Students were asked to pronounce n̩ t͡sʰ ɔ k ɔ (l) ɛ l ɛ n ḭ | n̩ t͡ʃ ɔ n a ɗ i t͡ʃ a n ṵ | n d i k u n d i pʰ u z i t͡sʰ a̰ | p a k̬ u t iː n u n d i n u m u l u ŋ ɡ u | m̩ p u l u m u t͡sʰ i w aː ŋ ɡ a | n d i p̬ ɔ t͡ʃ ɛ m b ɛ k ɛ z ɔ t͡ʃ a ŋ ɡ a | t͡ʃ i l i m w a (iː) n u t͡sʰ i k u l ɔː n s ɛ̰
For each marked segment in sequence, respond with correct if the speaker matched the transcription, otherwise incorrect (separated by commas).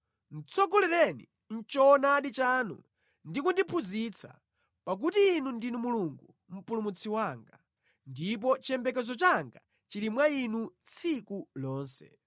correct, incorrect